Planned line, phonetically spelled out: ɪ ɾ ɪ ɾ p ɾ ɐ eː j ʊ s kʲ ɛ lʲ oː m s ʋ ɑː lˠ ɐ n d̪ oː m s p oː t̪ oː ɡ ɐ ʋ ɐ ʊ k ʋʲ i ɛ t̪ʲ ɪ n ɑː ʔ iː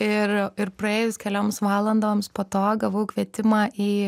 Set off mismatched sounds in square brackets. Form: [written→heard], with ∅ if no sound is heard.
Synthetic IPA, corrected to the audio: ɪ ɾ ɪ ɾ p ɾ ɐ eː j ʊ s kʲ ɛ lʲ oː m s ʋ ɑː lˠ ɐ n d̪ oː m s p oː t̪ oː ɡ ɐ ʋ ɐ ʊ k ʋʲ i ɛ t̪ʲ ɪ [n→m] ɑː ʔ iː